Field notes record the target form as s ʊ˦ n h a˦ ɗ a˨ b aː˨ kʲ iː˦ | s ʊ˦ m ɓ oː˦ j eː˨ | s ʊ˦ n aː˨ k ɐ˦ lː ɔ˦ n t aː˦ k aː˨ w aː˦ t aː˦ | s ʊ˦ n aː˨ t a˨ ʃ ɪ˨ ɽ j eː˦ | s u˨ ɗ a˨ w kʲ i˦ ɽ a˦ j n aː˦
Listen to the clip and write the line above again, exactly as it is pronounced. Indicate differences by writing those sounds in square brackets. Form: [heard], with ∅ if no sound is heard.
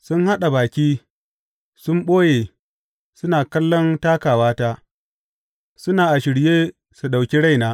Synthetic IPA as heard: s ʊ˦ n h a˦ ɗ a˨ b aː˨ kʲ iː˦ | s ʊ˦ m ɓ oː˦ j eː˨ | s ʊ˦ n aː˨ k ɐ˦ lː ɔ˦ n t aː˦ k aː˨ w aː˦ t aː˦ | s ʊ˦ n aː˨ [ʔ] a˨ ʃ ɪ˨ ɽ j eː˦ | s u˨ ɗ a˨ w kʲ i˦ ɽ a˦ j n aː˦